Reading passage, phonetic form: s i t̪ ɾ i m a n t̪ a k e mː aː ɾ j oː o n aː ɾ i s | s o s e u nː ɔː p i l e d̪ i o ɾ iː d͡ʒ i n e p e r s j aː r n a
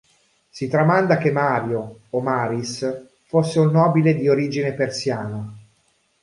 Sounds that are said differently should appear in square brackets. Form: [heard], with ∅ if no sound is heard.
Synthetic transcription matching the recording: s i t̪ ɾ [a] m a n [d̪] a k e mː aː ɾ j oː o [m] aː ɾ i s | [f] o [sː] e u nː ɔː [b] i l e d̪ i o ɾ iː d͡ʒ i n e p e r s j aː [∅] n a